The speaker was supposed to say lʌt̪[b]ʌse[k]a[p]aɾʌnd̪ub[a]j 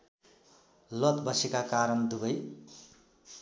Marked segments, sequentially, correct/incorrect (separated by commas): correct, correct, incorrect, incorrect